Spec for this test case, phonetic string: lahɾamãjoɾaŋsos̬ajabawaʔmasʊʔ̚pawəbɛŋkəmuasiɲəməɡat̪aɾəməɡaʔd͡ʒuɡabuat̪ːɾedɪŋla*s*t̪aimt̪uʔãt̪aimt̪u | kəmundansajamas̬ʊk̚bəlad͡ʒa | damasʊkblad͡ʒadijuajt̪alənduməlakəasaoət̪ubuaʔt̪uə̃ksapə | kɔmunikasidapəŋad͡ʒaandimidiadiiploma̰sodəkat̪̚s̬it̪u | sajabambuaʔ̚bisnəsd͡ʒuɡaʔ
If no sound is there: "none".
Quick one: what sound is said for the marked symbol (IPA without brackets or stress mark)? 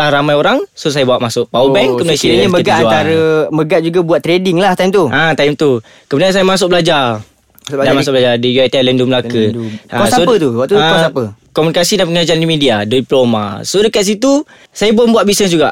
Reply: h